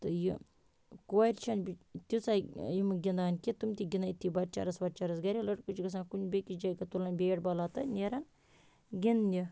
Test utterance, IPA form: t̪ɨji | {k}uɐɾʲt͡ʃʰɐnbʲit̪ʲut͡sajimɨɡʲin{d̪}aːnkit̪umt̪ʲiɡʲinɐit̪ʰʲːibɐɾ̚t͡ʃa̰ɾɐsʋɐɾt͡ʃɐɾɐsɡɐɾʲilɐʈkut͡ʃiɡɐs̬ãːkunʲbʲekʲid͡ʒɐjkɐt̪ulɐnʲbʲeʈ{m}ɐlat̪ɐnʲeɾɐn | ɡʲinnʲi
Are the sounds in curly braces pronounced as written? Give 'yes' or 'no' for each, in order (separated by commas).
yes, yes, no